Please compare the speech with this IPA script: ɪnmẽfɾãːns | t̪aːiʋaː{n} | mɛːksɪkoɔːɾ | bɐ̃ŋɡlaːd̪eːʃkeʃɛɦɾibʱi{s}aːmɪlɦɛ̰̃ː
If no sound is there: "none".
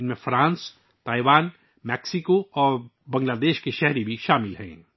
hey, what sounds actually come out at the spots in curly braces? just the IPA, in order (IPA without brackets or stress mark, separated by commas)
n, ʃ